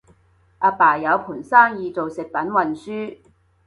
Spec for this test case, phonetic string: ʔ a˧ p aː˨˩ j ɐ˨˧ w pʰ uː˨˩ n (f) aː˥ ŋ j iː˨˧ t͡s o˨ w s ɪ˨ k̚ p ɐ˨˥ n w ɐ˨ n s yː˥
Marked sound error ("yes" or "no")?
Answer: yes